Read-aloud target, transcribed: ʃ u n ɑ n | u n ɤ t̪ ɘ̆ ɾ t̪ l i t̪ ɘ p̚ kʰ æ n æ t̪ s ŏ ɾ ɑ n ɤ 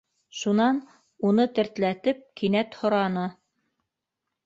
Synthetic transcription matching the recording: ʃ u n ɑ n | u n ɤ t̪ ɘ̆ ɾ t̪ l æ t̪ ɘ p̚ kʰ i n æ t̪ h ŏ ɾ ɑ n ɤ

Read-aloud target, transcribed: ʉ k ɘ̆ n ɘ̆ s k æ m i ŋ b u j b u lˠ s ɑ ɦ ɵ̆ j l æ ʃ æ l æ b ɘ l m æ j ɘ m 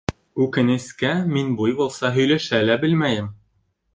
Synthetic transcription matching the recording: ʉ k ɘ̆ n ɘ̆ s k æ m i n b u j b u lˠ s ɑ ɦ ɵ̆ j l æ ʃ æ l æ b ɘ l m æ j ɘ m

